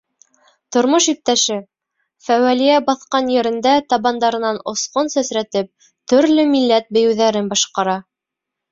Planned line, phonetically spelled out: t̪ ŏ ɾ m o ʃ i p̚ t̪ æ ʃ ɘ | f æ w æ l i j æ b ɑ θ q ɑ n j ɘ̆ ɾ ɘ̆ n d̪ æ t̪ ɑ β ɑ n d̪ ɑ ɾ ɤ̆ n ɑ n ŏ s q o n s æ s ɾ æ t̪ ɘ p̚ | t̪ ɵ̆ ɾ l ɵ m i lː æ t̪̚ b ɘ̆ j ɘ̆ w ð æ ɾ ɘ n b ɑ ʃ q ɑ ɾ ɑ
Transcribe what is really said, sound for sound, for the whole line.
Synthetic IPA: t̪ ŏ ɾ m o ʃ i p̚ t̪ æ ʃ ɘ | f æ w æ l i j æ b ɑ θ q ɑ n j ɘ̆ ɾ ɘ̆ n d̪ æ t̪ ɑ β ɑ n d̪ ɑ ɾ ɤ̆ n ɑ n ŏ s q o n s æ s ɾ æ t̪ ɘ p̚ | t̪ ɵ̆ ɾ l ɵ m i lː æ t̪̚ b ɘ̆ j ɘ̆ w ð æ ɾ ɘ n b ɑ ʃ q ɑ ɾ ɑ